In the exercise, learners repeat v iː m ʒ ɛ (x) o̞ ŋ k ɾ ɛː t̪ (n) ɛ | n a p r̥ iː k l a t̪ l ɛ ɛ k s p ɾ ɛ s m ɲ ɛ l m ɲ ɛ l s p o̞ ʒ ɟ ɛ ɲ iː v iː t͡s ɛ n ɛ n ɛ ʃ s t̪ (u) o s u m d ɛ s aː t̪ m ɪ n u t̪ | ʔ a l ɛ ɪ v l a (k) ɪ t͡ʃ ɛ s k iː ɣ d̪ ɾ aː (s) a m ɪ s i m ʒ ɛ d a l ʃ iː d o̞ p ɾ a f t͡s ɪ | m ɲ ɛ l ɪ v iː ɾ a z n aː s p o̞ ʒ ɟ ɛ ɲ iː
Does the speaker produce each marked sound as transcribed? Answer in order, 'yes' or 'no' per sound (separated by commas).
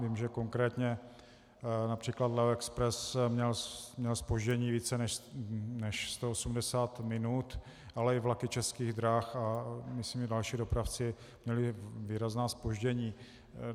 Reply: no, no, no, yes, no